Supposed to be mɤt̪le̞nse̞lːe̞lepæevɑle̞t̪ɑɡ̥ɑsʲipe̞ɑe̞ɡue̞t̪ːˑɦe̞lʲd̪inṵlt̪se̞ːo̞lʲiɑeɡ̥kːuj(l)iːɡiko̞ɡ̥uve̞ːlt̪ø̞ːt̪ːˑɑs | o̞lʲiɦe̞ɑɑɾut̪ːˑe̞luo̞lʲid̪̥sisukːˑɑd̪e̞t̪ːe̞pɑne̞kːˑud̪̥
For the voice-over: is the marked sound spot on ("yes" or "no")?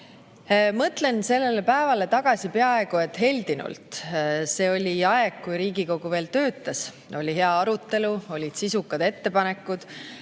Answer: no